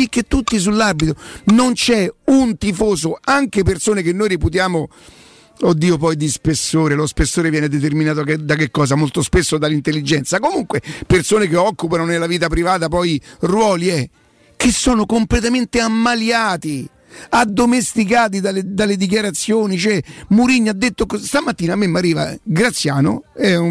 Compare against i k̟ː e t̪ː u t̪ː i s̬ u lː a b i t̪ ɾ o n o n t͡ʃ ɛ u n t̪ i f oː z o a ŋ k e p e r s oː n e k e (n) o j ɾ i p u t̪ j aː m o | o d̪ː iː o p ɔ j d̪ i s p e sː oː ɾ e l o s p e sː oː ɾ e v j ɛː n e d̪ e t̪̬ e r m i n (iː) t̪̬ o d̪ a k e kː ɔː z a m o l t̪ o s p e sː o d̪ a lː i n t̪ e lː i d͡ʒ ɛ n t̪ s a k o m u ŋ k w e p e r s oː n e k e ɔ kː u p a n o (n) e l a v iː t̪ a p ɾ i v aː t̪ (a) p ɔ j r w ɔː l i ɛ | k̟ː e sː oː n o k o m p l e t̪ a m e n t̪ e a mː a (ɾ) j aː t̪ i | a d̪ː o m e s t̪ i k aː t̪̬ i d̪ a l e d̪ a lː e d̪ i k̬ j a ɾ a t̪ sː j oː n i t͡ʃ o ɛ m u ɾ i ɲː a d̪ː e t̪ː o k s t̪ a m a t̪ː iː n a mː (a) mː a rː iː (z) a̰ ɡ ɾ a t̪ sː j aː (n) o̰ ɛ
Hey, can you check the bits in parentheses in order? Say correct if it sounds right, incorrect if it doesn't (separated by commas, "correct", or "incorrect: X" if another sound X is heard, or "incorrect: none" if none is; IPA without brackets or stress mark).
incorrect: nː, incorrect: aː, correct, correct, incorrect: l, incorrect: e, incorrect: v, correct